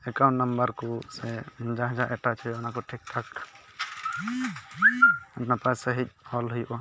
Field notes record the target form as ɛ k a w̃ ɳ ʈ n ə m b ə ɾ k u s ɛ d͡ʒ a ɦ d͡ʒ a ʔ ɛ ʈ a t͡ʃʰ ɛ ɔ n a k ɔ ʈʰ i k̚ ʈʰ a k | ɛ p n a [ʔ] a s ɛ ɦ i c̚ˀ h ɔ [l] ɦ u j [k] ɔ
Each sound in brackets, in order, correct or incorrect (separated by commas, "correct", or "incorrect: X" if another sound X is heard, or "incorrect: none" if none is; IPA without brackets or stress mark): incorrect: p, correct, incorrect: ʔ